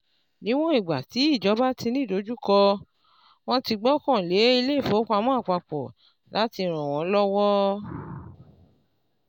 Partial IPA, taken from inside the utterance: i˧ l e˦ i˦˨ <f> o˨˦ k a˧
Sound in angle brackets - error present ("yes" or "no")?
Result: no